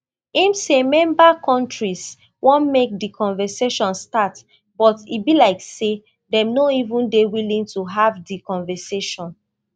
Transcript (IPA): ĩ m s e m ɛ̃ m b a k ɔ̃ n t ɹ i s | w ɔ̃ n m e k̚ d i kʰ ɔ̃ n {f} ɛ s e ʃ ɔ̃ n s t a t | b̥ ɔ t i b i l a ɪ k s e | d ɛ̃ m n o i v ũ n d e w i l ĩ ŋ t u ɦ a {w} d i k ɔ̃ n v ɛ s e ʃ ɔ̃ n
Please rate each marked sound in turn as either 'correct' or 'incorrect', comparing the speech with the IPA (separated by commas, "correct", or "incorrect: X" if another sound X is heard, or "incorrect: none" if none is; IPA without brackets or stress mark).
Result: incorrect: v, incorrect: v